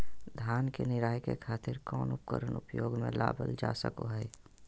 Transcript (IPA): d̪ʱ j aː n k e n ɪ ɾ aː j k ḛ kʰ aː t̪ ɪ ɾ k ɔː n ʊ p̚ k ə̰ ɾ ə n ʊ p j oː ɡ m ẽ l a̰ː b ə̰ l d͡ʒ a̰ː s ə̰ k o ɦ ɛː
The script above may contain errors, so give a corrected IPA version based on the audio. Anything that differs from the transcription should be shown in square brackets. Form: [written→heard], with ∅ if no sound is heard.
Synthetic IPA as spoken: d̪ʱ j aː n k e n ɪ ɾ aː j k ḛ kʰ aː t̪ ɪ ɾ k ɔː n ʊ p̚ k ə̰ ɾ ə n ʊ p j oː ɡ m ẽ l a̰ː b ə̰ l d͡ʒ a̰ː s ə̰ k o ɦ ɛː